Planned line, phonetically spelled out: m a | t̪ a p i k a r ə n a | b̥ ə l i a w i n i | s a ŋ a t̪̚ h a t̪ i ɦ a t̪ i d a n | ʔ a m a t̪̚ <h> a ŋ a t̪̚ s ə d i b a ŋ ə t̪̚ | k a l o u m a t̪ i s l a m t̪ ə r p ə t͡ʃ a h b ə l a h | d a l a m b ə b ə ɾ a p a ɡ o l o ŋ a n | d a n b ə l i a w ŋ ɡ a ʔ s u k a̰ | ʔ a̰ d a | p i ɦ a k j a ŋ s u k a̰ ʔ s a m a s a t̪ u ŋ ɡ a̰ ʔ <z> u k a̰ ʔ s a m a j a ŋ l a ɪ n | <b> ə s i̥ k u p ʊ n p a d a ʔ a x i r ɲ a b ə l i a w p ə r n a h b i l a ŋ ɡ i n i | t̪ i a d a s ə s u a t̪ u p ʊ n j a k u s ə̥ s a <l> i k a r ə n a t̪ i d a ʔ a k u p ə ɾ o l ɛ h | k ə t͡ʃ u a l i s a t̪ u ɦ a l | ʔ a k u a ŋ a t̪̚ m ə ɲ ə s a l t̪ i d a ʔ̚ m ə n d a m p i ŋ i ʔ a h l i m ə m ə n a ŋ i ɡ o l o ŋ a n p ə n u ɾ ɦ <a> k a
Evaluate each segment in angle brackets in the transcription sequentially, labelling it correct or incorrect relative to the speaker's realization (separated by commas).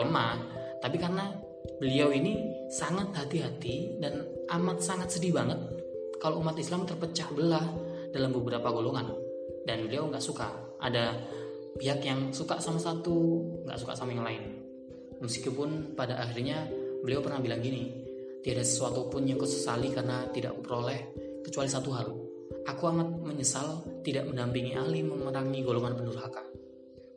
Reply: incorrect, incorrect, incorrect, correct, correct